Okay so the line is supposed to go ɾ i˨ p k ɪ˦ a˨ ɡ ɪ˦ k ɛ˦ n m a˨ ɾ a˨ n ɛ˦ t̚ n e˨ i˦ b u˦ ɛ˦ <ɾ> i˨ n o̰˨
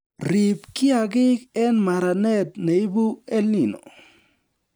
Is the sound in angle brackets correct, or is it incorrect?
incorrect: l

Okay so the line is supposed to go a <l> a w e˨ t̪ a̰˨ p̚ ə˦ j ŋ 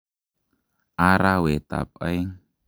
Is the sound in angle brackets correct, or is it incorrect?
incorrect: ɾ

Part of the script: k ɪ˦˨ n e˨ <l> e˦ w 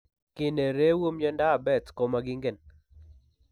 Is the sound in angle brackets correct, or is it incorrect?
incorrect: ɾ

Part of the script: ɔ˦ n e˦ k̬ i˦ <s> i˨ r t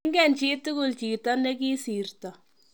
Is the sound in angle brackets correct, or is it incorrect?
correct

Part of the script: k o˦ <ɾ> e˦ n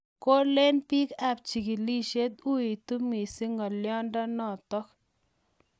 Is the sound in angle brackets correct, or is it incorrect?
incorrect: l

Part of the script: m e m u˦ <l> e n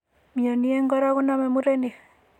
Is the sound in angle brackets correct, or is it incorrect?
incorrect: ɾ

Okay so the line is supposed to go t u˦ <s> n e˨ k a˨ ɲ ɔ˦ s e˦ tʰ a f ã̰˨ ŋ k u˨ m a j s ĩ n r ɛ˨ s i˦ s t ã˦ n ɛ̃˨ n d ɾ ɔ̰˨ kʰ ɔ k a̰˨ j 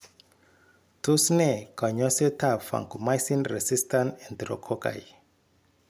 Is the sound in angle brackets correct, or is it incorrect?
correct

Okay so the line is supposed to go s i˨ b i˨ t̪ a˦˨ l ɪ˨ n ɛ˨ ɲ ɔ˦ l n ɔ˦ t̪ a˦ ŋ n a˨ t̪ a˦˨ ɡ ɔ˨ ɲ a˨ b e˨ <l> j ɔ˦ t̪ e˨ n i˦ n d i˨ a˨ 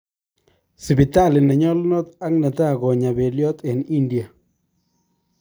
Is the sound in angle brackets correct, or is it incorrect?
correct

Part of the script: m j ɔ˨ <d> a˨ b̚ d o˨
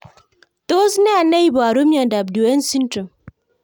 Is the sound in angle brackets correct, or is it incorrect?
correct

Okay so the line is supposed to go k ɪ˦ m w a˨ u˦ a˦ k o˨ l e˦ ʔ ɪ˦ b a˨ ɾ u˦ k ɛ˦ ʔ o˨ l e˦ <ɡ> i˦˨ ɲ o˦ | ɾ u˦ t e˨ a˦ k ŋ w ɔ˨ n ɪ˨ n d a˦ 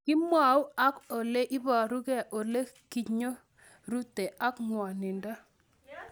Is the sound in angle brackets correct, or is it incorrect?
incorrect: k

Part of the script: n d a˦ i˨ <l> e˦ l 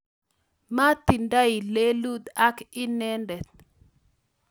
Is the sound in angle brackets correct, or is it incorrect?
correct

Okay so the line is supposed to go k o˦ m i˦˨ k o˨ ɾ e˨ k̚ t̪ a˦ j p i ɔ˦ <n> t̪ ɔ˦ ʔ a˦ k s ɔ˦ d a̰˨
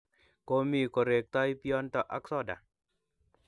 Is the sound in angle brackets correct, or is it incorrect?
correct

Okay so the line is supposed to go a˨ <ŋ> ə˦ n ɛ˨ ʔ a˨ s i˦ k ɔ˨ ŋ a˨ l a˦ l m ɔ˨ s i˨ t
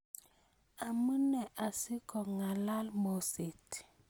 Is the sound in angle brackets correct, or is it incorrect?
incorrect: m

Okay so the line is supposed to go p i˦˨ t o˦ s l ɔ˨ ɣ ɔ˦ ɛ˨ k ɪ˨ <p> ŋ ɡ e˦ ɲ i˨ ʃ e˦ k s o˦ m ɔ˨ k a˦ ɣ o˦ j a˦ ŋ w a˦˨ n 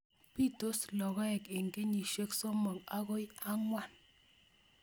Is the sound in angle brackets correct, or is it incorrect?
incorrect: none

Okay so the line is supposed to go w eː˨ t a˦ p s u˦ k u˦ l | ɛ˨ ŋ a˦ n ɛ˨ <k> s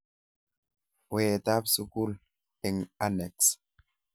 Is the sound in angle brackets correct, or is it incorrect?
correct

